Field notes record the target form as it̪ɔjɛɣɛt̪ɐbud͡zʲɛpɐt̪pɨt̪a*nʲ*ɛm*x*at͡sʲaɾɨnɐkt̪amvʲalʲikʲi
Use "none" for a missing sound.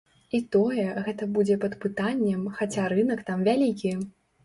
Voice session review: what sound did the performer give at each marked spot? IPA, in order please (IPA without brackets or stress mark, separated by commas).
nʲː, x